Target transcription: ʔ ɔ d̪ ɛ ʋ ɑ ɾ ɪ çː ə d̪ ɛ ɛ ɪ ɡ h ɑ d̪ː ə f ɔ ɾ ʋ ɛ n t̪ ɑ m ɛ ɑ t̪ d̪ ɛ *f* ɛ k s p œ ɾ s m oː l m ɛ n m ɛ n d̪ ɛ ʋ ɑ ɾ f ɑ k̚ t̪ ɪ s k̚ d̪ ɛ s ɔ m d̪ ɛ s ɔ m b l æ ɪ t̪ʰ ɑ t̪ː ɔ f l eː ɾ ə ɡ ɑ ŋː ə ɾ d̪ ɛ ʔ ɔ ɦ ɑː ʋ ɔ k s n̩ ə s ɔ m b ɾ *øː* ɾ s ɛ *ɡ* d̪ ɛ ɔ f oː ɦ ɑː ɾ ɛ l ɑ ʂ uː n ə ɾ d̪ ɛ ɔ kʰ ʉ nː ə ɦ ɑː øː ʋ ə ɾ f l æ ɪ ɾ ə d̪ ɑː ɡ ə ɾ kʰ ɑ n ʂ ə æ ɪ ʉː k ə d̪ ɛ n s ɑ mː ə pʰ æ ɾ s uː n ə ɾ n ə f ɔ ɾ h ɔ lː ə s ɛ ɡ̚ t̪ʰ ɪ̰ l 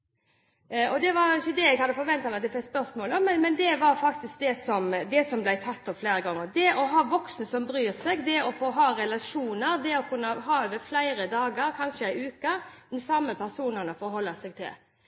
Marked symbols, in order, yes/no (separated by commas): yes, no, yes